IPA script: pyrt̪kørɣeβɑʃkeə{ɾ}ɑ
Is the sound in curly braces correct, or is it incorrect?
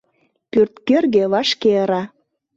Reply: correct